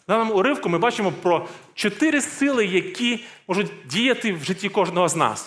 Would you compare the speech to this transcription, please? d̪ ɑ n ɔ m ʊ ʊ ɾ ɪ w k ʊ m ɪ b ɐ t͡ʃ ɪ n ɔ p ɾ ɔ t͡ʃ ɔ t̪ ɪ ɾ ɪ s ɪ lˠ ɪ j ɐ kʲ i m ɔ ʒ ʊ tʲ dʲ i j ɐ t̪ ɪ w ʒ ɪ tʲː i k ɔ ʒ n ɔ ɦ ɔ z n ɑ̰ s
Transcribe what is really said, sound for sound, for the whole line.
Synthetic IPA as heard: d̪ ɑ n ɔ m ʊ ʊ ɾ ɪ w k ʊ m ɪ b ɑ t͡ʃ ɪ m ɔ p ɾ ɔ t͡ʃ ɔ t̪ ɪ ɾ ɪ s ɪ lˠ ɪ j ɐ kʲ i m ɔ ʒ ʊ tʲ dʲ i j ɐ t̪ ɪ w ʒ ɪ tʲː i k ɔ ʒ n ɔ ɦ ɔ z n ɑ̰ s